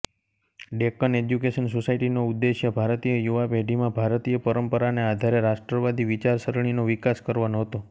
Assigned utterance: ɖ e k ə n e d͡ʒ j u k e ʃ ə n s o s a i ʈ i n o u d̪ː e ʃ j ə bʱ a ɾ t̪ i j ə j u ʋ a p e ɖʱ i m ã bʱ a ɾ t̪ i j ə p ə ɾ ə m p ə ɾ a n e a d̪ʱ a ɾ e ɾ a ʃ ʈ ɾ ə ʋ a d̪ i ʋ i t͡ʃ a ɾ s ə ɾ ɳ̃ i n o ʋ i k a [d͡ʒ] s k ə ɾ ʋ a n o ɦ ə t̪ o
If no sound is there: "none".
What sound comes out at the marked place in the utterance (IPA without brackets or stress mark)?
none